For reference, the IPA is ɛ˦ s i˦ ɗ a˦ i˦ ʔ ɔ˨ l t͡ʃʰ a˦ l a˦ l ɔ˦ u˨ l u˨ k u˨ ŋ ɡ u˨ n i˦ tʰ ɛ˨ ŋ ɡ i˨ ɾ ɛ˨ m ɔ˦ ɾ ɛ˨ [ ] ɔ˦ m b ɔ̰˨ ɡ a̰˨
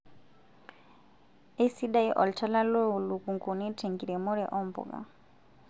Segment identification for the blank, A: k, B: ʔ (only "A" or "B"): B